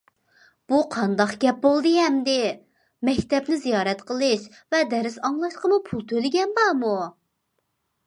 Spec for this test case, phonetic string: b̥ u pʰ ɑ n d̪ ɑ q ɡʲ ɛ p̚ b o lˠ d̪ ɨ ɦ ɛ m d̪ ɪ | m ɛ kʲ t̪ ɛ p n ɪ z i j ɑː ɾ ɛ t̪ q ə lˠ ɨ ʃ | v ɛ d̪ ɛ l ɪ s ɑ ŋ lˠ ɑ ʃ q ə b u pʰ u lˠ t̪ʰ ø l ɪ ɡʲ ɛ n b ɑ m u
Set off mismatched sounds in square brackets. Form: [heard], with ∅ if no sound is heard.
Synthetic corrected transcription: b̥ u [qʰ] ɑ n d̪ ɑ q ɡʲ ɛ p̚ b o lˠ d̪ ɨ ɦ ɛ m d̪ ɪ | m ɛ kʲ t̪ ɛ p n ɪ z i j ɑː ɾ ɛ t̪ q ə lˠ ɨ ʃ | v ɛ d̪ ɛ [ɾ] ɪ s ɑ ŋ lˠ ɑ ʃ q ə [m] u pʰ u lˠ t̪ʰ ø l ɪ ɡʲ ɛ n b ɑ m u